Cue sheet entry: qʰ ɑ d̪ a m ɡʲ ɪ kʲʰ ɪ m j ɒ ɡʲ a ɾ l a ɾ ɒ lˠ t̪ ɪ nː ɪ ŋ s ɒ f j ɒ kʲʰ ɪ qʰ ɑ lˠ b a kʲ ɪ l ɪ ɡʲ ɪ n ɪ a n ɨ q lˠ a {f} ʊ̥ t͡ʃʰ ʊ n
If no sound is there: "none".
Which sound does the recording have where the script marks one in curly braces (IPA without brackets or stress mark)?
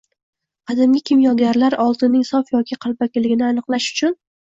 ʃ